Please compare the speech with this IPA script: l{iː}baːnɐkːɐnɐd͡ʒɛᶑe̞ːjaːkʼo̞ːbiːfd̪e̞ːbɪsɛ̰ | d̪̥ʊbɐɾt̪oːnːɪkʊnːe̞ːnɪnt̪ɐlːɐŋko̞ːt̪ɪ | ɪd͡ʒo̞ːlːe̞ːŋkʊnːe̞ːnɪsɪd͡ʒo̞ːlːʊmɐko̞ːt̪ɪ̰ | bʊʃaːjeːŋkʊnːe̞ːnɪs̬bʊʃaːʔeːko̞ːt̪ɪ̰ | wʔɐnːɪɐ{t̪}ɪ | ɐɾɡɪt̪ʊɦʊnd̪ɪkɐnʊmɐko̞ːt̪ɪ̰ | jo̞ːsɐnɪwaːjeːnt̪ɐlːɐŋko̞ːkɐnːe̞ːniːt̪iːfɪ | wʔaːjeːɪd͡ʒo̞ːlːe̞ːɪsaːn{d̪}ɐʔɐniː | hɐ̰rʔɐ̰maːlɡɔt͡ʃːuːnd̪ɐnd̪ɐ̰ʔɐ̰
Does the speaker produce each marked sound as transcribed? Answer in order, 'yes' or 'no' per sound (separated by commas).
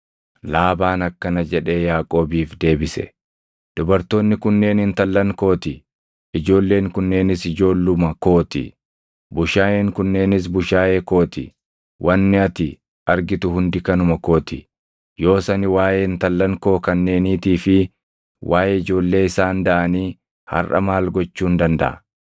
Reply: no, yes, yes